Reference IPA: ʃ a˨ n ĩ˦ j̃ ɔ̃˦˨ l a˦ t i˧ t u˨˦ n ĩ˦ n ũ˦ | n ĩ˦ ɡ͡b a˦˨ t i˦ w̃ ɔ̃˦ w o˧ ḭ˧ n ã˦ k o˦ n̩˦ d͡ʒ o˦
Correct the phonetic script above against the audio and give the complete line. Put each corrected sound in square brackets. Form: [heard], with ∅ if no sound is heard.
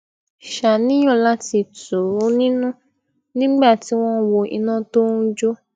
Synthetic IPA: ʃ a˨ n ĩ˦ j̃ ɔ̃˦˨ l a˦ t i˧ t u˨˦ n ĩ˦ n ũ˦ | n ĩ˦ ɡ͡b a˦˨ t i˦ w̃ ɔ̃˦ w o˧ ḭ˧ n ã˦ [t] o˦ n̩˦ d͡ʒ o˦